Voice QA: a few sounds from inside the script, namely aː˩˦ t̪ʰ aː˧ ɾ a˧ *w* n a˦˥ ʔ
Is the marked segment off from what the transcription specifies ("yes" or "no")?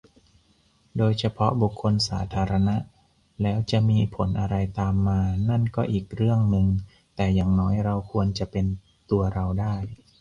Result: yes